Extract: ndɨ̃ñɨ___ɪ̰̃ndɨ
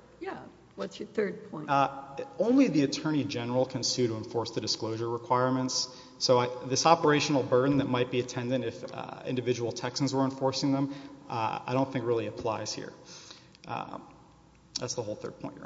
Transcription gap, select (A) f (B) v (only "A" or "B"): A